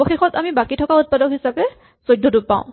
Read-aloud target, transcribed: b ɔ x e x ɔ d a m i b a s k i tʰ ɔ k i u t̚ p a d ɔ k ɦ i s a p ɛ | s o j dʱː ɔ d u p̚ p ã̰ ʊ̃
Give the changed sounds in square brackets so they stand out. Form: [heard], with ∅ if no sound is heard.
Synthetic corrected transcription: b ɔ x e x ɔ [t] a m i b a [∅] k i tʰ ɔ k [a] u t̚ p a d ɔ k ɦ i s a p ɛ | s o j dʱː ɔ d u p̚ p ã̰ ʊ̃

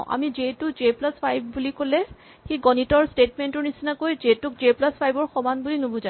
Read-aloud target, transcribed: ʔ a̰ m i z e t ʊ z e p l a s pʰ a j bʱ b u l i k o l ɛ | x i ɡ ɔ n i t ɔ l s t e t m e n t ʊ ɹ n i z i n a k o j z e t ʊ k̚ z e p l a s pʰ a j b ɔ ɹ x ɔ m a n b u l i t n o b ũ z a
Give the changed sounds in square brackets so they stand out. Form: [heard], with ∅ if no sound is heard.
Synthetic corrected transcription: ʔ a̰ m i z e t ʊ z e p l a s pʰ a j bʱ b u l i k o l ɛ | x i ɡ ɔ n i t ɔ [ɹ] s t e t m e n t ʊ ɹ n i [s] i n a k o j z e t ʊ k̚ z e p l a s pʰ a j b ɔ ɹ x ɔ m a n b u l i [∅] n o b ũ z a

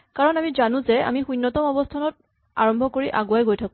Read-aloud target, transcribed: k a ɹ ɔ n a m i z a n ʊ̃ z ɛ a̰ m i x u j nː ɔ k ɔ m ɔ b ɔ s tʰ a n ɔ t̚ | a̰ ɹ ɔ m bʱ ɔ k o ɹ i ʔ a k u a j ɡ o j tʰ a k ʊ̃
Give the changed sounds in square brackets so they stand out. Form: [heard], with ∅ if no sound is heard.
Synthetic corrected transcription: k a ɹ ɔ n a m i z a n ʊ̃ z ɛ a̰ m i x u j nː ɔ [t] ɔ m ɔ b ɔ s tʰ a n ɔ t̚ | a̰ ɹ ɔ m bʱ ɔ k o ɹ i ʔ a [ɡ] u a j ɡ o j tʰ a k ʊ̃

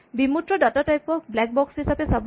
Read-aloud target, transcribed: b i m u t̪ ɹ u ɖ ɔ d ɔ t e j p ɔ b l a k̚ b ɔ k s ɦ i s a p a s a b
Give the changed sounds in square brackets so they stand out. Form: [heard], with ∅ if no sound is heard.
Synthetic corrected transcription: b i m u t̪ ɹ [ɔ] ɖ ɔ [t] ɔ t [a] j p ɔ b l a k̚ b ɔ k s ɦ i s a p [e] s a b

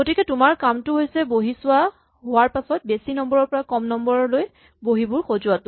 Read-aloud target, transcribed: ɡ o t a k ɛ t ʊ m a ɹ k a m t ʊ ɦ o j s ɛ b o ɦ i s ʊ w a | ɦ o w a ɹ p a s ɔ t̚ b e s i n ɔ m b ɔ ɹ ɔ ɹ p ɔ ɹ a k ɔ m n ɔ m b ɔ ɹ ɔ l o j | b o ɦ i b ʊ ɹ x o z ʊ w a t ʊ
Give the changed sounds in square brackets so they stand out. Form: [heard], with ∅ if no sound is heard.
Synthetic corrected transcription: ɡ o t [i] k ɛ t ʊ m a ɹ k a m t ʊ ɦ o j s ɛ b o ɦ i s ʊ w a | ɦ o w a ɹ p a s ɔ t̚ b e s i n ɔ m b ɔ ɹ ɔ ɹ p ɔ ɹ a k ɔ m n ɔ m b ɔ ɹ ɔ l o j | b o ɦ i b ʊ ɹ x o z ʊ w a t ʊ

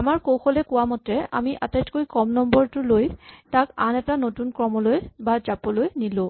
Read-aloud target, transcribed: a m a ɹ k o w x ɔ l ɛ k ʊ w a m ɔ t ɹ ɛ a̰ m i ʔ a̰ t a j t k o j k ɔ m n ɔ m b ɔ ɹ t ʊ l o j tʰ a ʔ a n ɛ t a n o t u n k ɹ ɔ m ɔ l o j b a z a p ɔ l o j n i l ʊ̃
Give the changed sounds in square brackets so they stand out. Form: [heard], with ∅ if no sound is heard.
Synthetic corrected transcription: a m a ɹ k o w x ɔ l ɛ k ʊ w a m ɔ t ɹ ɛ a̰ m i ʔ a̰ t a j t k o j k ɔ m n ɔ m b ɔ ɹ t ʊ l o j [t] a [k] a n ɛ t a n o t u n k ɹ ɔ m ɔ l o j b a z a p ɔ l o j n i l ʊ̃

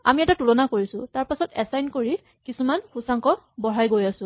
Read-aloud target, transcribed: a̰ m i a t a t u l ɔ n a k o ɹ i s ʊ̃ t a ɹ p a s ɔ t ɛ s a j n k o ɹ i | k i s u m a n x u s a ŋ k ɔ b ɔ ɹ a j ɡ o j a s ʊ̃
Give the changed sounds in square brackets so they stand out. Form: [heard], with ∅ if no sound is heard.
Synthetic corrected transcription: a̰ m i [ɛ] t a t u l ɔ n a k o ɹ i s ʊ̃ t a ɹ p a s ɔ t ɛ s a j n k o ɹ i | k i s u m a n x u s a ŋ k ɔ b ɔ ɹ a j ɡ o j a s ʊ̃

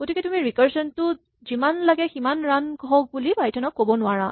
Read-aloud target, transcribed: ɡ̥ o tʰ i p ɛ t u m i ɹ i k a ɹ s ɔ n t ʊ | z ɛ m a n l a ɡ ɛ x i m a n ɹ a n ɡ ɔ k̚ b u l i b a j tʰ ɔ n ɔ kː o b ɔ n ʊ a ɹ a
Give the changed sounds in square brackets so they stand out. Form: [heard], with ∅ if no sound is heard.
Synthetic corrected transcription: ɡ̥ o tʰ i [k] ɛ t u m i ɹ i k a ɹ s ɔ n t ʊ | z [i] m a n l a ɡ ɛ x i m a n ɹ a n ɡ ɔ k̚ b u l i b a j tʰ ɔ n ɔ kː o b ɔ n ʊ a ɹ a

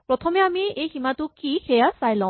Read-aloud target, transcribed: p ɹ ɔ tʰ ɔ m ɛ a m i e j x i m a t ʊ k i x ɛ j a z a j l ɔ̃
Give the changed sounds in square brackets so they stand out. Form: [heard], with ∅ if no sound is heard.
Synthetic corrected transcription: p ɹ ɔ tʰ ɔ m ɛ a m i e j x i m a t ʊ k i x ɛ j a [s] a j l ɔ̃

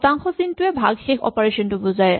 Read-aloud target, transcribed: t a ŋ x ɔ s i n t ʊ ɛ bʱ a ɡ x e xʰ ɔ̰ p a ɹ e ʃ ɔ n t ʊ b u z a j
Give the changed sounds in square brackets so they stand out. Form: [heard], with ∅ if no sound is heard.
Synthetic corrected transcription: t a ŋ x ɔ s i n t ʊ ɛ bʱ a ɡ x e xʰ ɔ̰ p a ɹ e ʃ ɔ n t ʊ b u z a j

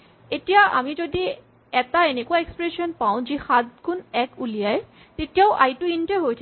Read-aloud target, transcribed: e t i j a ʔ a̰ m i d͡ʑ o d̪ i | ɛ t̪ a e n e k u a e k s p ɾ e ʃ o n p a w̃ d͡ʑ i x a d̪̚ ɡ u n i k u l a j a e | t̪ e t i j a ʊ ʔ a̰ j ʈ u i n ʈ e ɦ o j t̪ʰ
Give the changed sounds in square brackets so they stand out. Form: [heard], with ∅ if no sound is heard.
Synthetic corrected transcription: e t i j a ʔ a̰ m i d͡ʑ o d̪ i | ɛ t̪ a e n e k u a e k s p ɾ e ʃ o n p a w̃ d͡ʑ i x a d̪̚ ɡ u n [ɛ] k u l [i] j a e | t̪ e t i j a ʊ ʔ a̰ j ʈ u i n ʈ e ɦ o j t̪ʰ

